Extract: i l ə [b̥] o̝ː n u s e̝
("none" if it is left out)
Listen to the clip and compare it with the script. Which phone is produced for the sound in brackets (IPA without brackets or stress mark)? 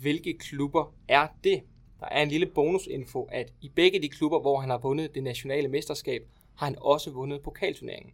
b̥